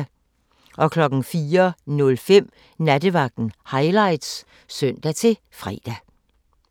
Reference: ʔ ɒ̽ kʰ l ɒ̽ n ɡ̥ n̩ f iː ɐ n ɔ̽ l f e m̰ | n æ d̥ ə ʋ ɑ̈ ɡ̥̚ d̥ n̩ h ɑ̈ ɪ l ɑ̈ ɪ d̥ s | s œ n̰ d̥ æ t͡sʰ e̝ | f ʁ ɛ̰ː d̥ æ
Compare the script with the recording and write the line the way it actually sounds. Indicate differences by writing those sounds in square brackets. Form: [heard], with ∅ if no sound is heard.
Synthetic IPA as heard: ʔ ɒ̽ kʰ l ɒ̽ [∅] ɡ̥ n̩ f iː ɐ n ɔ̽ l f e m̰ | n æ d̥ ə ʋ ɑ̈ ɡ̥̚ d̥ n̩ h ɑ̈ ɪ l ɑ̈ ɪ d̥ s | s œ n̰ d̥ æ t͡sʰ e̝ | f ʁ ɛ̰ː d̥ æ